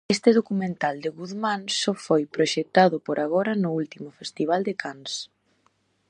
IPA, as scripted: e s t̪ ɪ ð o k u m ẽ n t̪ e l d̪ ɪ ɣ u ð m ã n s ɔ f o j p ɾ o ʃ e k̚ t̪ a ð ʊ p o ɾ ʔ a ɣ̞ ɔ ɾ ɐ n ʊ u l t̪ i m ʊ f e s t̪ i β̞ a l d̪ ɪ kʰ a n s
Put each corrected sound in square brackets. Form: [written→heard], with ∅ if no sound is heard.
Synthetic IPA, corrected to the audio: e s t̪ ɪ ð o k u m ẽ n t̪ [e→a] l d̪ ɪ ɣ u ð m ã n s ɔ f o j p ɾ o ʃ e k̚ t̪ a ð ʊ p o ɾ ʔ a ɣ̞ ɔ ɾ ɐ n ʊ u l t̪ i m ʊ f e s t̪ i β̞ a l d̪ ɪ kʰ a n s